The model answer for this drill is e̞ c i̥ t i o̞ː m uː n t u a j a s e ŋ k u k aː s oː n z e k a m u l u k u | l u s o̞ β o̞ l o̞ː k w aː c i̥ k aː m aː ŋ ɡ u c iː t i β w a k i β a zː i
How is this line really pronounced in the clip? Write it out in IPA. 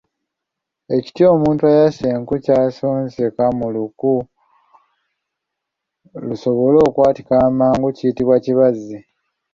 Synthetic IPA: e̞ c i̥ t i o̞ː m uː n t u a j a s e ŋ k u c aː s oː n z e k a m u l u k u | l u s o̞ β o̞ l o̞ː k w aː t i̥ k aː m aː ŋ ɡ u c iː t i β w a c i β a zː i